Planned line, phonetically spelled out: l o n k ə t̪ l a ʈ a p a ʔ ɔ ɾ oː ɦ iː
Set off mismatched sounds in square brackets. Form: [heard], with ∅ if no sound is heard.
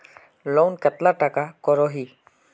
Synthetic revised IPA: l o n k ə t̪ l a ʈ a [k] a [k] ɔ ɾ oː ɦ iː